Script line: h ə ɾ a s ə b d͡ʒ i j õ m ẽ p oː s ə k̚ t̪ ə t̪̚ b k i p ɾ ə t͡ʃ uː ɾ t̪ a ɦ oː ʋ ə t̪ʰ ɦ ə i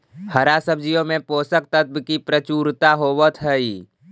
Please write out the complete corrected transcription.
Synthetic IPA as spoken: h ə ɾ a s ə b d͡ʒ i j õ m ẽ p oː s ə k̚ t̪ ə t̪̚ b k i p ɾ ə t͡ʃ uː ɾ t̪ a ɦ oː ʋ ə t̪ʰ ɦ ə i